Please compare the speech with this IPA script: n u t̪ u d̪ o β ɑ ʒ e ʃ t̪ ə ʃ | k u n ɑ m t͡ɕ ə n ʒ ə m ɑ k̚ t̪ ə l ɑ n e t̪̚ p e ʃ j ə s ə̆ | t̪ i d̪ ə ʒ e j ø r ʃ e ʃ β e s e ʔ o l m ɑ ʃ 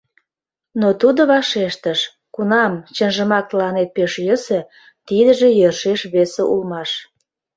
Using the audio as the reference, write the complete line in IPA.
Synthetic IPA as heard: n o t̪ u d̪ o β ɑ ʃ e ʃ t̪ ə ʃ | k u n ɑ m t͡ɕ ə n ʒ ə m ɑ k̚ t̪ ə l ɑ n e t̪̚ p e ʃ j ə s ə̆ | t̪ i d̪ ə ʒ e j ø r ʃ e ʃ β e s e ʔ u l m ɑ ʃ